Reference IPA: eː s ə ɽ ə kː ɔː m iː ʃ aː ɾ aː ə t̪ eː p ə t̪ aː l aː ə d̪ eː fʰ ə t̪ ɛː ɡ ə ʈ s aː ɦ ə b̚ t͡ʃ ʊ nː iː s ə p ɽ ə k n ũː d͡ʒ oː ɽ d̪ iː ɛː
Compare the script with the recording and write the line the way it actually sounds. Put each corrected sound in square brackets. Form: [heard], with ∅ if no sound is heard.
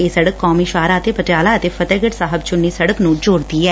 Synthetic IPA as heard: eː s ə ɽ ə kː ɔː m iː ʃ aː ɾ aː ə t̪ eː p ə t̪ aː l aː ə [t̪] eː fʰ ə t̪ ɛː ɡ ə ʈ s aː ɦ ə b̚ t͡ʃ ʊ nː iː s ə [∅] ɽ ə k n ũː d͡ʒ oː ɽ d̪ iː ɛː